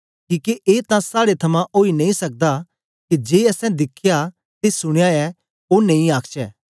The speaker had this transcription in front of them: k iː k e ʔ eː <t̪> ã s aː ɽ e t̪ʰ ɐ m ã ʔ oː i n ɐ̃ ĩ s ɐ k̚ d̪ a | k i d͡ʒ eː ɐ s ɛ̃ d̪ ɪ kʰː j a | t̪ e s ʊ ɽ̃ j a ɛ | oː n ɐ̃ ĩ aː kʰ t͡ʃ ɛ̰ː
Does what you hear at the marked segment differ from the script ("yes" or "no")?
no